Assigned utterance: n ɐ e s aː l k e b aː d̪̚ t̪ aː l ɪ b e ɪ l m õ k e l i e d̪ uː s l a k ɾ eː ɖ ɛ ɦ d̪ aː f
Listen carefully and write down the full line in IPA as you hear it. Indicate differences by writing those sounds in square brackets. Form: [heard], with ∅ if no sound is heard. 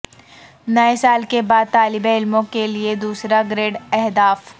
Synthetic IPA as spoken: n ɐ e s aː l k e b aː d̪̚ t̪ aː l ɪ b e ɪ l m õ k e l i e d̪ uː s [ɾ] a [ɡ] ɾ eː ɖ ɛ ɦ d̪ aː f